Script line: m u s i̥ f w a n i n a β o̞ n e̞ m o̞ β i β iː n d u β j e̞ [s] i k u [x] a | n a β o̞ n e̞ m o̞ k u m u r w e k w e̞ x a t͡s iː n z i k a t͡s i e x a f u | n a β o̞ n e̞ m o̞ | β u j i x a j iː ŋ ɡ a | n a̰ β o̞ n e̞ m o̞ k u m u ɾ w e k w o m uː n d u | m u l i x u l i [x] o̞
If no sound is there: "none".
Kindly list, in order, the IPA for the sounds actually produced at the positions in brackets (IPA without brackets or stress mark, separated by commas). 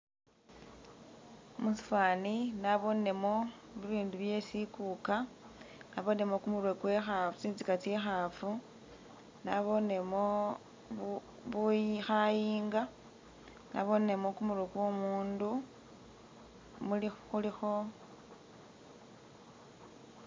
s, k, x